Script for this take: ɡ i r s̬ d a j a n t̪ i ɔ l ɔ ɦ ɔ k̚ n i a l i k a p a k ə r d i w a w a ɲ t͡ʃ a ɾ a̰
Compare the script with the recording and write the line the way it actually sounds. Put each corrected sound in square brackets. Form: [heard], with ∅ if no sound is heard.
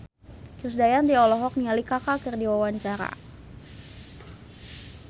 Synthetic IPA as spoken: [k] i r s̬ d a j a n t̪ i ɔ l ɔ ɦ ɔ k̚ n i a l i k a [k] a k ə r d i w a w a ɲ t͡ʃ a ɾ a̰